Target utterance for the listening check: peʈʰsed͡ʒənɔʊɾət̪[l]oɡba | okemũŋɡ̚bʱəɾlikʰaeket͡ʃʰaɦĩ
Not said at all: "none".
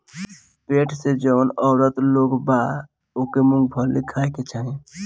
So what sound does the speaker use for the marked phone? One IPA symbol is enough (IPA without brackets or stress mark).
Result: l